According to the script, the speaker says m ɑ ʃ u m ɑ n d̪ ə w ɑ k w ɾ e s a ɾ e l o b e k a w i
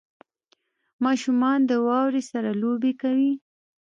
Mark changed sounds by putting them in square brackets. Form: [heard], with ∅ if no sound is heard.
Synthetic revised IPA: m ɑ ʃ u m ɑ n d̪ ə w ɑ [∅] w ɾ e s a ɾ [a] l o b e k a w i